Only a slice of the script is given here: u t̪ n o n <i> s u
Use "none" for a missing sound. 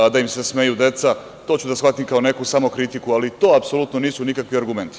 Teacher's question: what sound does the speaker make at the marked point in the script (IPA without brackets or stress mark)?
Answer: iː